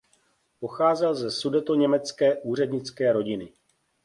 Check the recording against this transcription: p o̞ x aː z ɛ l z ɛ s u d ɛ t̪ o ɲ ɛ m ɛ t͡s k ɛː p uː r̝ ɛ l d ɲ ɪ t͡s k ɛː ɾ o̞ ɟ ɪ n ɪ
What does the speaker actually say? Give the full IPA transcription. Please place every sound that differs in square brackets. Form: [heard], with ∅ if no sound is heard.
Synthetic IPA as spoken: p o̞ x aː z ɛ l z ɛ s u d ɛ t̪ o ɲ ɛ m ɛ t͡s k ɛː [ʔ] uː r̝ ɛ [∅] d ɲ ɪ t͡s k ɛː ɾ o̞ ɟ ɪ n ɪ